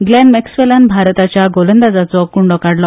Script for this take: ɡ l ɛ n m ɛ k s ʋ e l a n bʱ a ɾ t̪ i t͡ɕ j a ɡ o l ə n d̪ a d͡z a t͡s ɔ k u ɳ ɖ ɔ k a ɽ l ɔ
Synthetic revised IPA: ɡ l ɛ n m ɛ k s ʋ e l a n bʱ a ɾ t̪ a t͡ɕ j a ɡ o l ə n d̪ a d͡z a t͡s ɔ k u ɳ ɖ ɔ k a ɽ l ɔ